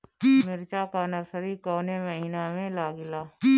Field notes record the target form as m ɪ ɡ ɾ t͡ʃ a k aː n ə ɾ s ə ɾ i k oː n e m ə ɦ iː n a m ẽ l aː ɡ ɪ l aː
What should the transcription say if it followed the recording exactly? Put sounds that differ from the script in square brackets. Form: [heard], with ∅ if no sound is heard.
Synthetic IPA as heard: m ɪ [∅] ɾ t͡ʃ a k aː n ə ɾ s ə ɾ i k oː n e m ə ɦ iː n a m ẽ l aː ɡ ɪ l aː